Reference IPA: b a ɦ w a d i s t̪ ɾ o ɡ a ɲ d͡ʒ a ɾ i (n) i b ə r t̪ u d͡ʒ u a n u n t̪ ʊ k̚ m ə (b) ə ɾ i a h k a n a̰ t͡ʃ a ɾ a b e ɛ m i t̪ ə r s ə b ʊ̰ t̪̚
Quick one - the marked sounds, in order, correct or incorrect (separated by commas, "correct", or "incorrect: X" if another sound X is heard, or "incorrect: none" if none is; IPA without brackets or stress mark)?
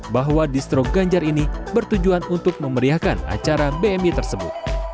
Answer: correct, incorrect: m